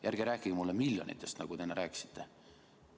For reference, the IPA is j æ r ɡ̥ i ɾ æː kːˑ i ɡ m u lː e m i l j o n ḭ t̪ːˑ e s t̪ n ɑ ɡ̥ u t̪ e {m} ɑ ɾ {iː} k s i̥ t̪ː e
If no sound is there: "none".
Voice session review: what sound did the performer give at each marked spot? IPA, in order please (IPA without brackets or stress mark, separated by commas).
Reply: n, æː